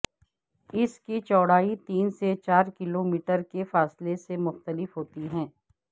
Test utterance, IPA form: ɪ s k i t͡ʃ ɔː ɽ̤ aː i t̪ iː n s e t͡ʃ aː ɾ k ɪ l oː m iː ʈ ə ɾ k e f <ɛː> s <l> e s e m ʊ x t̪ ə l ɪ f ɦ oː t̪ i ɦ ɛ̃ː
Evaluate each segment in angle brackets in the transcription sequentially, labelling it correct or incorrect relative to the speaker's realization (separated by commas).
incorrect, correct